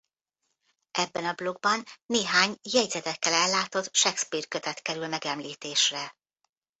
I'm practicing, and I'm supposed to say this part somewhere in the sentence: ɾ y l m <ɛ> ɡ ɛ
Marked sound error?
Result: no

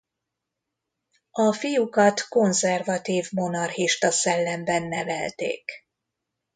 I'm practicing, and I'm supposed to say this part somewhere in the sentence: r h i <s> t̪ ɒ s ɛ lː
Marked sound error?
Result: yes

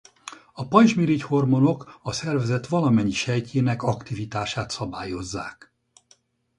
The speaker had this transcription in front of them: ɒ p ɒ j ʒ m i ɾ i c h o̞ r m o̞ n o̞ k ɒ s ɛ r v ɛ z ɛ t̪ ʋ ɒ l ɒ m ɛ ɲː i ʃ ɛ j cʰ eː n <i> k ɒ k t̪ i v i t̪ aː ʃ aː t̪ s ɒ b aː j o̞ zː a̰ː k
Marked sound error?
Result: yes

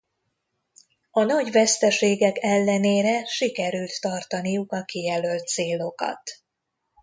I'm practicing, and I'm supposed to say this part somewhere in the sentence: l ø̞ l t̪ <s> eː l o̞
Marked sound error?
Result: no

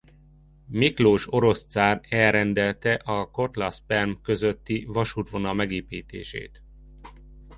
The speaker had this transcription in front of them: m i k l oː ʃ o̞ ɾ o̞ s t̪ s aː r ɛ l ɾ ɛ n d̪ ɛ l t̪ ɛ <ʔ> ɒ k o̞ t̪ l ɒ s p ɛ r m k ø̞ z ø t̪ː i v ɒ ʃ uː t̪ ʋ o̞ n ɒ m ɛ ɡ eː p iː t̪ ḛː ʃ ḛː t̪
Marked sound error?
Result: no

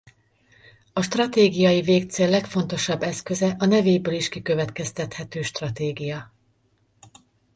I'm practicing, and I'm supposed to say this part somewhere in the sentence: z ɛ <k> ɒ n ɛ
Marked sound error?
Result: yes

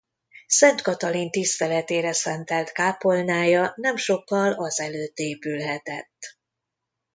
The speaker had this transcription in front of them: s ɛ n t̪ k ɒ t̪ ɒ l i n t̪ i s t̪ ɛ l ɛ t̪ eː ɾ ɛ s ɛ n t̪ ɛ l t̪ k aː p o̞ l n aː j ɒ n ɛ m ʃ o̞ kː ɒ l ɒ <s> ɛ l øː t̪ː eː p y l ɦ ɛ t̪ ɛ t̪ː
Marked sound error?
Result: yes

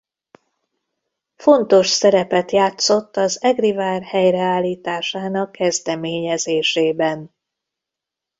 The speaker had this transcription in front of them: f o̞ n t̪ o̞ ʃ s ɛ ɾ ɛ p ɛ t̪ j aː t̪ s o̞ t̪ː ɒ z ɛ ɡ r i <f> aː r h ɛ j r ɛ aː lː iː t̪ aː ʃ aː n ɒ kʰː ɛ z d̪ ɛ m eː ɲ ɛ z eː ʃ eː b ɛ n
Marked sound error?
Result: yes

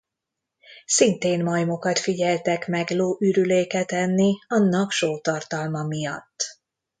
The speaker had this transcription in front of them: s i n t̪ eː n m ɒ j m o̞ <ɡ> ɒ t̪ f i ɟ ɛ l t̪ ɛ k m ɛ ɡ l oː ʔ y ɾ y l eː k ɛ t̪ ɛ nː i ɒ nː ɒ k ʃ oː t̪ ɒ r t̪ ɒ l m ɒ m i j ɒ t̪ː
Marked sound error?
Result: yes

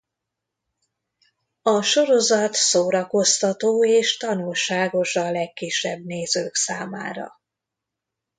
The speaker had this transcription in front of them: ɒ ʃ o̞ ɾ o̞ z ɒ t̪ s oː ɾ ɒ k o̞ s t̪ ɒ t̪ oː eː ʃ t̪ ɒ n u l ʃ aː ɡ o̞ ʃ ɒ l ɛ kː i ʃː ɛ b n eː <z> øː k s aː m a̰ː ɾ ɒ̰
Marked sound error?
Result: no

